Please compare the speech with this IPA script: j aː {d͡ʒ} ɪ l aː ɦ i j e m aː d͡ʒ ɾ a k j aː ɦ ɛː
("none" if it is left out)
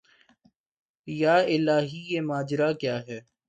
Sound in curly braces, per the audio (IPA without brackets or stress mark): none